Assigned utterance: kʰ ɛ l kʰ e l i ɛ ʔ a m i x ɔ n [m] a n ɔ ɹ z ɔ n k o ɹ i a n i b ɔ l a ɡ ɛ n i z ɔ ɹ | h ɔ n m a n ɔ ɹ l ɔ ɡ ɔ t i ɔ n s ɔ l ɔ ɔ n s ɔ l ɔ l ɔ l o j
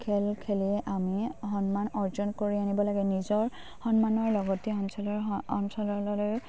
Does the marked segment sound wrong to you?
no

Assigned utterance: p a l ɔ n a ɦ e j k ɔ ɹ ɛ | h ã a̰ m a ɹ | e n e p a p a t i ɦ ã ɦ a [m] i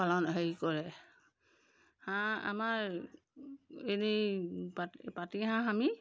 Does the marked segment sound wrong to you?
no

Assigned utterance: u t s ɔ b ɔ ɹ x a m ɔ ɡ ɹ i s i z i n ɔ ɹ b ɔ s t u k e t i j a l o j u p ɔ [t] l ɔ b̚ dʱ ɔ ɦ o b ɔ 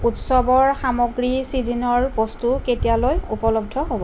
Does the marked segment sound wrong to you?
yes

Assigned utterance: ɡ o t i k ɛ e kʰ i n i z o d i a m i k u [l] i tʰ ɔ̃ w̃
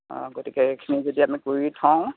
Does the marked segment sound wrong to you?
yes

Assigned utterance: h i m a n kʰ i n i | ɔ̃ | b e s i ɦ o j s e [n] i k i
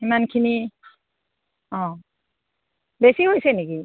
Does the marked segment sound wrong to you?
no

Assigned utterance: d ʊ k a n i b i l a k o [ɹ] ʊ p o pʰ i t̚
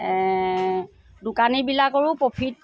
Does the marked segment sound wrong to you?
no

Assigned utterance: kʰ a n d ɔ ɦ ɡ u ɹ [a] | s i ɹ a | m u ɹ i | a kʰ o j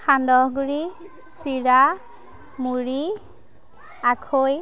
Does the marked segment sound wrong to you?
yes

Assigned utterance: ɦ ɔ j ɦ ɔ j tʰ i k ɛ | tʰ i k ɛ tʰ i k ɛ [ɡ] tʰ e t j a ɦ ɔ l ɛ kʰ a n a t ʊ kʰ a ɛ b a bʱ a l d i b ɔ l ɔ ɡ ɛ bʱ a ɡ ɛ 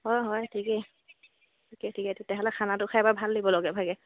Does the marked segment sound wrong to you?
yes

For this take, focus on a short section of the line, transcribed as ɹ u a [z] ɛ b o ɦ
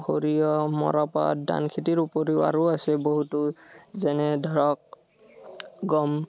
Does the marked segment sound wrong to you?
yes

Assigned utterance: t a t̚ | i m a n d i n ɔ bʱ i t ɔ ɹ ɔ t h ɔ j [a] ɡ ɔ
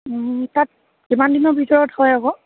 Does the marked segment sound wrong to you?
no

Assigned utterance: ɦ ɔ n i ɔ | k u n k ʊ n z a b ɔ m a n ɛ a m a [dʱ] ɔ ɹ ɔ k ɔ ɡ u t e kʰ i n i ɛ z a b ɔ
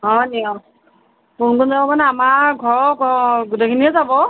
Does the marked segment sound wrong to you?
yes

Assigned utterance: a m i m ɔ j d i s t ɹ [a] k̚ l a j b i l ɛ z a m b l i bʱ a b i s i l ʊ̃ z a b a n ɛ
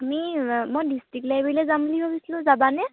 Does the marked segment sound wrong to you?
yes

